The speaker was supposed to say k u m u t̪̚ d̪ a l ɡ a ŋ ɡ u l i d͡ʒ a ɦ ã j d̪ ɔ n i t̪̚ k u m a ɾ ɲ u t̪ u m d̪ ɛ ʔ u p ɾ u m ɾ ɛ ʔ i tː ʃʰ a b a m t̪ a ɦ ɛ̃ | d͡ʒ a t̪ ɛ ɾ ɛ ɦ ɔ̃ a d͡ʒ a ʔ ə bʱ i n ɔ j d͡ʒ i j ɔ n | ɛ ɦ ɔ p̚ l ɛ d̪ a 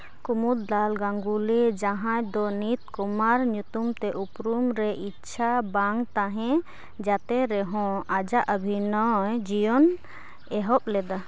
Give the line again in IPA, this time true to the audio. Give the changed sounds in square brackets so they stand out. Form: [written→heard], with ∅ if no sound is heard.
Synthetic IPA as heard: k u m u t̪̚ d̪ a l ɡ a ŋ ɡ u l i d͡ʒ a ɦ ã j d̪ ɔ n i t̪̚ k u m a ɾ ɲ u t̪ u m [d̪→t̪] ɛ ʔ u p ɾ u m ɾ ɛ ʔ i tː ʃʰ a b a [m→ŋ] t̪ a ɦ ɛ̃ | d͡ʒ a t̪ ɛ ɾ ɛ ɦ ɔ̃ a d͡ʒ a ʔ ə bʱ i n ɔ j d͡ʒ i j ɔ n | ɛ ɦ ɔ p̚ l ɛ d̪ a